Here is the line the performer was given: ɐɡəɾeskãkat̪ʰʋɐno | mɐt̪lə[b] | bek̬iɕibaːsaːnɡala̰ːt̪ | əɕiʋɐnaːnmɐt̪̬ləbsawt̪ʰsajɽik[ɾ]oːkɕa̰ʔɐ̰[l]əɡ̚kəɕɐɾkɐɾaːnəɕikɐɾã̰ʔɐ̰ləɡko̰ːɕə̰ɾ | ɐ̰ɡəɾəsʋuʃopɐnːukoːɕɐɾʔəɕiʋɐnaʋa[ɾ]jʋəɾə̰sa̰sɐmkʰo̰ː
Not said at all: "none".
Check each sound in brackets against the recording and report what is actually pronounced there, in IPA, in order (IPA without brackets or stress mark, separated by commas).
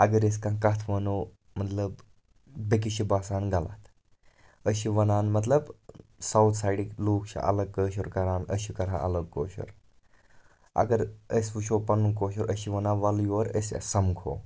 b, l, l, l